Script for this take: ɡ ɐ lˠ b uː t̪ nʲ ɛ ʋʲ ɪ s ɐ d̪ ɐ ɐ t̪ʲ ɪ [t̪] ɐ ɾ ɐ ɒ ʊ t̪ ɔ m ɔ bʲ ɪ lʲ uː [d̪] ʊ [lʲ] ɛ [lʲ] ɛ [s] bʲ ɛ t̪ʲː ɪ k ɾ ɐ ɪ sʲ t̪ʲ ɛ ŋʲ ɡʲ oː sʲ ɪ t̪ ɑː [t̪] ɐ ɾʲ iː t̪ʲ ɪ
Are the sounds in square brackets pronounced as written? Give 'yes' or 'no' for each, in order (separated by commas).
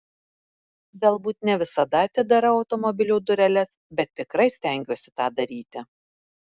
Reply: no, yes, no, yes, yes, no